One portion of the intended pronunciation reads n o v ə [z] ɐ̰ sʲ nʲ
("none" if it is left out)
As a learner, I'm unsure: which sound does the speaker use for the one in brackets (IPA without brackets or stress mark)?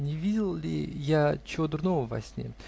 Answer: v